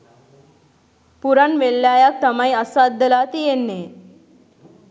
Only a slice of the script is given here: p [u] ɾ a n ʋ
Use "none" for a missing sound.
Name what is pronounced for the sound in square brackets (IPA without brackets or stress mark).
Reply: u